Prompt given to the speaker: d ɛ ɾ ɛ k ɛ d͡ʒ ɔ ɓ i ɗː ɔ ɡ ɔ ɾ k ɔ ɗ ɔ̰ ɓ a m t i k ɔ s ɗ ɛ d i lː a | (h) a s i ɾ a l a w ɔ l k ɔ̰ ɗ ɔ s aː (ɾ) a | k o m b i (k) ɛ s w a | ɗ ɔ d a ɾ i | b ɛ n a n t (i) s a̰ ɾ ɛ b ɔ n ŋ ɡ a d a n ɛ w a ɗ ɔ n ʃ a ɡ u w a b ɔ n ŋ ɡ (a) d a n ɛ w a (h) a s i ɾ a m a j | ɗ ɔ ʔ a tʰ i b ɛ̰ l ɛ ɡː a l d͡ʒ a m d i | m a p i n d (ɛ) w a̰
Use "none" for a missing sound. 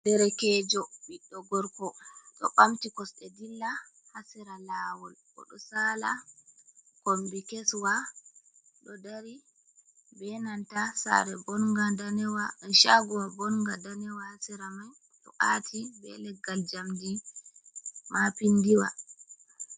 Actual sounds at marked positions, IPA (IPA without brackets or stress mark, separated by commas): h, l, k, a, a, h, i